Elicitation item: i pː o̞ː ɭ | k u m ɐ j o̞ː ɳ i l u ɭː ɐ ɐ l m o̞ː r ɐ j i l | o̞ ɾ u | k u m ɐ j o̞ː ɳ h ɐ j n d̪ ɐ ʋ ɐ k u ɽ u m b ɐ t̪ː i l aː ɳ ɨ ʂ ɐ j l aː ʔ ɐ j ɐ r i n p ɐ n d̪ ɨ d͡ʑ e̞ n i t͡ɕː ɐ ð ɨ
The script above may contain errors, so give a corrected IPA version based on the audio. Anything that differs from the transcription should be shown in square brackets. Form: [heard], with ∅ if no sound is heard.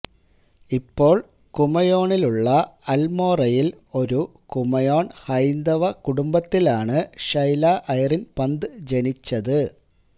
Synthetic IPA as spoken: i pː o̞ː ɭ | k u m ɐ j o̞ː ɳ i l u ɭː ɐ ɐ l m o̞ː r ɐ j i l | o̞ ɾ u | k u m ɐ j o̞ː ɳ h ɐ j n d̪ ɐ ʋ ɐ k u ɽ u m b ɐ t̪ː i l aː ɳ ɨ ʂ ɐ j l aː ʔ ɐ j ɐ r i n p ɐ n d̪ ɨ d͡ʑ e̞ n i t͡ɕː ɐ ð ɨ